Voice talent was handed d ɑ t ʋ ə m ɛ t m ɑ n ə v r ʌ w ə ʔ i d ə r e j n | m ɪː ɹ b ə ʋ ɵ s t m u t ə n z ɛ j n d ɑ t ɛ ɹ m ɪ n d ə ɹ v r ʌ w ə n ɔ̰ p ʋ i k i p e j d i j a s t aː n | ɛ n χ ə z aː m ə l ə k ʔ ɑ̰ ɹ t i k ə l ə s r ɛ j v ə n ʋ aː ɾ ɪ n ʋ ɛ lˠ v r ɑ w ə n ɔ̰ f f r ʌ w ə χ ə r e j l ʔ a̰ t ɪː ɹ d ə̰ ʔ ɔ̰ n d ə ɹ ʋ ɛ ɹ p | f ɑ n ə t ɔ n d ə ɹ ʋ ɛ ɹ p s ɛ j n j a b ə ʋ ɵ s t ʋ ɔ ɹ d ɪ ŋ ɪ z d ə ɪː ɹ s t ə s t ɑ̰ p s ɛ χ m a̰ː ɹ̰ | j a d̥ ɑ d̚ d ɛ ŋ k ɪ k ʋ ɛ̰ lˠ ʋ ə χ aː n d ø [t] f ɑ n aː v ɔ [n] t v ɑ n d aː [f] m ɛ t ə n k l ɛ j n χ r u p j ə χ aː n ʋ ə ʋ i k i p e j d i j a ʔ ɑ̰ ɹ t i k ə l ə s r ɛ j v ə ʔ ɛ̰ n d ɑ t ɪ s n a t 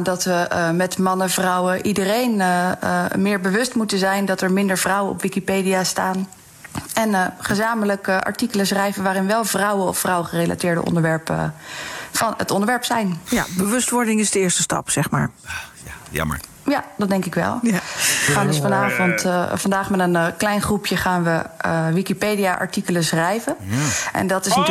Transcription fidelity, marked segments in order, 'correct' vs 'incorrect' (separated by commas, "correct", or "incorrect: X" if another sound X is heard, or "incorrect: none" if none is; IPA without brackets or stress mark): incorrect: s, correct, incorrect: χ